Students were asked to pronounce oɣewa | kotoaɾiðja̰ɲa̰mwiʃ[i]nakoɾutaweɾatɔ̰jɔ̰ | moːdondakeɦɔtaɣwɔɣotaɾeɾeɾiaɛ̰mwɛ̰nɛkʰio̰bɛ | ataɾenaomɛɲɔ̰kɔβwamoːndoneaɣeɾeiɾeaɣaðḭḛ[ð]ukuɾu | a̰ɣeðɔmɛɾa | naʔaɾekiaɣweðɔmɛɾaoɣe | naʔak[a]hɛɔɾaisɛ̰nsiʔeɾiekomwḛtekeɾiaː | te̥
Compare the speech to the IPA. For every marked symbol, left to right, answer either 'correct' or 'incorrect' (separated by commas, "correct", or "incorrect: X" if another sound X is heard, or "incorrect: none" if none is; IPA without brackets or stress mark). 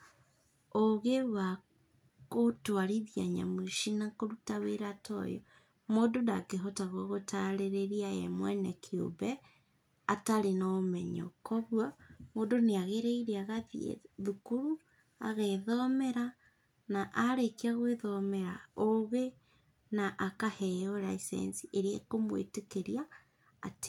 correct, correct, correct